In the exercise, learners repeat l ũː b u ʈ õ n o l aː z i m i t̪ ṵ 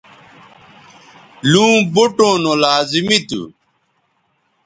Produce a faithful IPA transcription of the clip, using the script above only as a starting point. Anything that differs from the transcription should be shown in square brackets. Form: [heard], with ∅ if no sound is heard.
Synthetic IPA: l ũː b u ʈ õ n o l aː z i m i t̪ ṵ